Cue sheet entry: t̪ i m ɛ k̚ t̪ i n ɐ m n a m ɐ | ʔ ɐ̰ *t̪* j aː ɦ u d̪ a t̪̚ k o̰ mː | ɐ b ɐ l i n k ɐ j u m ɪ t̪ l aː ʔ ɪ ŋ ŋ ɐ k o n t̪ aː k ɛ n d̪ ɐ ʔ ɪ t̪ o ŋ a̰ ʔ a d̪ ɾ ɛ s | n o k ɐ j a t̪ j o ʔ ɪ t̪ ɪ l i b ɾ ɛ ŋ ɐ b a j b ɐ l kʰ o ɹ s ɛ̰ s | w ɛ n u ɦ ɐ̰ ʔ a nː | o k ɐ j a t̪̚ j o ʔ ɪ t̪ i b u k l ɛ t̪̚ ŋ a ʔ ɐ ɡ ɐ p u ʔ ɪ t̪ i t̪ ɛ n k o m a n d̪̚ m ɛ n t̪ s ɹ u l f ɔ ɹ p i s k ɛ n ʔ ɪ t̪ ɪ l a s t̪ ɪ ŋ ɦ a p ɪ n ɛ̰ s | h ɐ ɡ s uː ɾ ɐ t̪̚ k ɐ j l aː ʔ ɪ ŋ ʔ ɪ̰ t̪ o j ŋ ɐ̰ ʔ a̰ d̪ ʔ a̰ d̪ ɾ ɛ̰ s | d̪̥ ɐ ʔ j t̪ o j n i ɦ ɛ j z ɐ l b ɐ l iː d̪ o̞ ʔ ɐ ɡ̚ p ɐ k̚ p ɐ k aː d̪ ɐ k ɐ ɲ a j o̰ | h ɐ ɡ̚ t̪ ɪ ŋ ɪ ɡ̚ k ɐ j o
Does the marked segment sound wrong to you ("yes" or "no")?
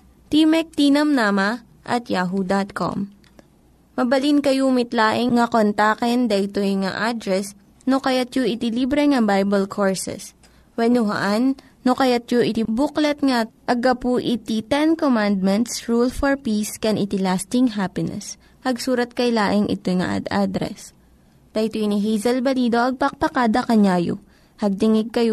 no